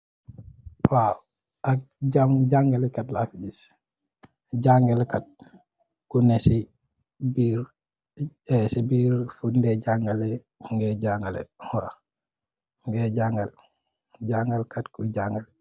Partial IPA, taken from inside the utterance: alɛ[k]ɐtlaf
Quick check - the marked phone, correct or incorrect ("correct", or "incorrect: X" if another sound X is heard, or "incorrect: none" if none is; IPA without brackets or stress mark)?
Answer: correct